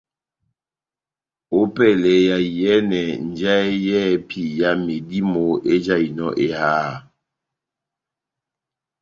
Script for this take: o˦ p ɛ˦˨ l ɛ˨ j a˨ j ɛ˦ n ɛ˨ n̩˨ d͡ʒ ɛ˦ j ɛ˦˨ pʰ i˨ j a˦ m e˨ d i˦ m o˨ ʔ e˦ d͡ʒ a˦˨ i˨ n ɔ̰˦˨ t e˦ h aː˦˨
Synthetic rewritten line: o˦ p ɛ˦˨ l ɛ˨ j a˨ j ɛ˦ n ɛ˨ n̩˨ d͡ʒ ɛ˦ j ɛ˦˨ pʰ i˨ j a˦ m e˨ d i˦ m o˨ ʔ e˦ d͡ʒ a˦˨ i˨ n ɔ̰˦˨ ʔ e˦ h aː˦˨